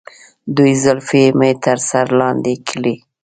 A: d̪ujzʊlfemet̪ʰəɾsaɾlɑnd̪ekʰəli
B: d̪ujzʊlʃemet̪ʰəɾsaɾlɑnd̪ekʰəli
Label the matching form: A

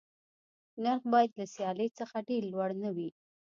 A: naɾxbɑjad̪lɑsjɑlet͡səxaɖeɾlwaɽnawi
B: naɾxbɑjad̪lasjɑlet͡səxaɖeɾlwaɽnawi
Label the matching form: B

